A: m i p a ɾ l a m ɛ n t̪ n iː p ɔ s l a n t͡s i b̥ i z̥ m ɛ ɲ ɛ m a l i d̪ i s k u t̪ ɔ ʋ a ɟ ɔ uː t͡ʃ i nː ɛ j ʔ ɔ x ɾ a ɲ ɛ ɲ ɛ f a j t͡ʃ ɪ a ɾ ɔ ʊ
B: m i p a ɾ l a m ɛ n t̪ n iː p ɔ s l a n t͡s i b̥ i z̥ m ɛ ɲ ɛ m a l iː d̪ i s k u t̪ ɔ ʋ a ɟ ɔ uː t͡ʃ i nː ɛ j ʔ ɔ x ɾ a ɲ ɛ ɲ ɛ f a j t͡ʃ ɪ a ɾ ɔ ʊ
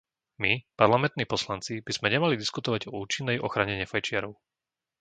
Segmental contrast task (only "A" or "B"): A